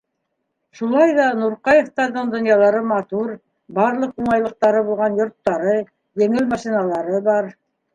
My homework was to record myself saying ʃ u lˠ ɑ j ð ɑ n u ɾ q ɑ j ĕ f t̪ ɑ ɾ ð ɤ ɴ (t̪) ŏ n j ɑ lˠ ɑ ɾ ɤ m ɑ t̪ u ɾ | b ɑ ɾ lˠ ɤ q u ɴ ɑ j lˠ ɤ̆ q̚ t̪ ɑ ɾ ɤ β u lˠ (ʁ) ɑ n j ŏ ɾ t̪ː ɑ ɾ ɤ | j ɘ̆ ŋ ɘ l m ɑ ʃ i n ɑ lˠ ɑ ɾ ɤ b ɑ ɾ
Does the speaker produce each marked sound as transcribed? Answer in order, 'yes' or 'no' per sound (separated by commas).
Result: no, yes